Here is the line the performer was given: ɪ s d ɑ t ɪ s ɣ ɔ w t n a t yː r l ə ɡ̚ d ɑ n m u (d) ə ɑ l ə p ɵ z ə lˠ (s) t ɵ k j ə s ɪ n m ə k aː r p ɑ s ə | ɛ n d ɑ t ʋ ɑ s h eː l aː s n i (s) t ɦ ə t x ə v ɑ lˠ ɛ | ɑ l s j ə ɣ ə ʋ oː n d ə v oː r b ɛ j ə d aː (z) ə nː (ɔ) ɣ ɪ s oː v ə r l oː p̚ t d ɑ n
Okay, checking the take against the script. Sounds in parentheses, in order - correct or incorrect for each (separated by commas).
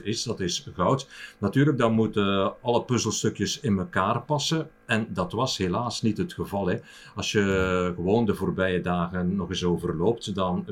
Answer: incorrect, correct, incorrect, incorrect, correct